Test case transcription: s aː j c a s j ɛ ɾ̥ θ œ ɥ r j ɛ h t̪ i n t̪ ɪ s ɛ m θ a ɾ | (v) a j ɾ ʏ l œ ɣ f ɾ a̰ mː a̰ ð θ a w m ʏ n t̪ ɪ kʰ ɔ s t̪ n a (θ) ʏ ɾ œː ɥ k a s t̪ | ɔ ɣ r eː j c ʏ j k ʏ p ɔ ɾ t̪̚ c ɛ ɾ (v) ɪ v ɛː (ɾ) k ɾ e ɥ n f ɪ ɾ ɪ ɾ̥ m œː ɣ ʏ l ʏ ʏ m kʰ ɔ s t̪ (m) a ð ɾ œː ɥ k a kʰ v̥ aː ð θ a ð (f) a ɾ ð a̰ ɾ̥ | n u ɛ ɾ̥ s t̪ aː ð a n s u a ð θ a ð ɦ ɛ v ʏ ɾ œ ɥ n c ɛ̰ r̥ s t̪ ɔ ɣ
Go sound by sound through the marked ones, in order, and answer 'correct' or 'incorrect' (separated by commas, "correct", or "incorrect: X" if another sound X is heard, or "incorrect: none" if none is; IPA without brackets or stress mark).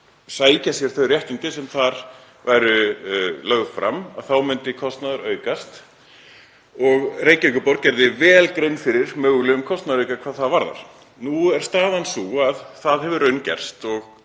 correct, incorrect: ð, incorrect: ð, incorrect: l, incorrect: n, incorrect: v